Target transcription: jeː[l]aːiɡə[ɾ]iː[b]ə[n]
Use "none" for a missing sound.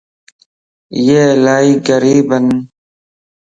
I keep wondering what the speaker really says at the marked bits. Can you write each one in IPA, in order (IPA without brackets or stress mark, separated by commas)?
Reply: l, ɾ, b, n